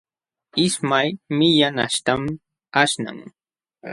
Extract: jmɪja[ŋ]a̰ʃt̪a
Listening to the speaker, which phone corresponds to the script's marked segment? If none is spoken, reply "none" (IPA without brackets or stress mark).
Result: n